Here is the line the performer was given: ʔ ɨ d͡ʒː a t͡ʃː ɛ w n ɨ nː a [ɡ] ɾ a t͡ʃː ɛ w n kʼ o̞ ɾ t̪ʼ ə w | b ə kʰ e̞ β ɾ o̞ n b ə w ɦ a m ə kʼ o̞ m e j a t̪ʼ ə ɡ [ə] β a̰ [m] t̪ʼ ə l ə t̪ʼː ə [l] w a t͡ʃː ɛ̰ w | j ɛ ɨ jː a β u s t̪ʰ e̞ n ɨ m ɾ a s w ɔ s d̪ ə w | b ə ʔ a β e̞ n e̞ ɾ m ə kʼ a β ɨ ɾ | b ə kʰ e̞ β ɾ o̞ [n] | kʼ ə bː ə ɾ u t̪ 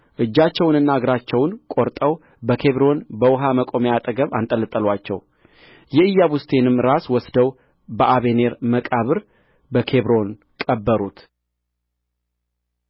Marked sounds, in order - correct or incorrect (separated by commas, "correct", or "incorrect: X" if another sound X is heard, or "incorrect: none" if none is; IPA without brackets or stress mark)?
correct, correct, incorrect: n, correct, correct